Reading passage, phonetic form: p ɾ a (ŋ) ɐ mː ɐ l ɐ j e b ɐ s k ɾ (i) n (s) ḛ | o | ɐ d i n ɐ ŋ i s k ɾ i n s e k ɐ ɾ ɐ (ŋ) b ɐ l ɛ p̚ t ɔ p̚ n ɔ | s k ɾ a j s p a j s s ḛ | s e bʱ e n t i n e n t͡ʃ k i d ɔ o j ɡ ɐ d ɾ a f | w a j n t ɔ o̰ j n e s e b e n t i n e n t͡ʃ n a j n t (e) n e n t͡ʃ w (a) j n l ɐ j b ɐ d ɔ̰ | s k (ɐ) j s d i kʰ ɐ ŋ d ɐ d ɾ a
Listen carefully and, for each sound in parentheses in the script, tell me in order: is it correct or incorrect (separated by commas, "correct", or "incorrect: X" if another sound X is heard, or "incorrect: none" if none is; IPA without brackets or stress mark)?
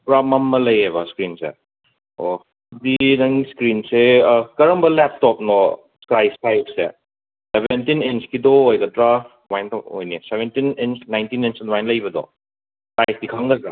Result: incorrect: m, correct, correct, incorrect: m, incorrect: i, correct, incorrect: a